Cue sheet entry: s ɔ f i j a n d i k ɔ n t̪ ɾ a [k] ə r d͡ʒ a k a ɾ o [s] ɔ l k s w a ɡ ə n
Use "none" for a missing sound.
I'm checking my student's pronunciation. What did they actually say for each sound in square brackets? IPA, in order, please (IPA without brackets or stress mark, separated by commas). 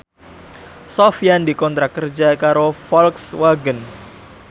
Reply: k, f